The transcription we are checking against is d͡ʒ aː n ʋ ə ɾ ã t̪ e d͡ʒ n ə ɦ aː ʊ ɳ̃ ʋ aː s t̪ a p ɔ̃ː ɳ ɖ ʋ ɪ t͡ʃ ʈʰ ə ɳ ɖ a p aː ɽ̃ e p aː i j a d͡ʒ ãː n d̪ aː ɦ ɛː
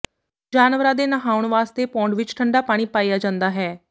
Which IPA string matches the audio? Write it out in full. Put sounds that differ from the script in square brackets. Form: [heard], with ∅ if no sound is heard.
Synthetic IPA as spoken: d͡ʒ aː n ʋ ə ɾ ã [d̪] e [∅] n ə ɦ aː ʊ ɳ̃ ʋ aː s t̪ [e] p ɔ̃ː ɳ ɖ ʋ ɪ t͡ʃ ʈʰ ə ɳ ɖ a p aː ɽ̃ [i] p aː i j a d͡ʒ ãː n d̪ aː ɦ ɛː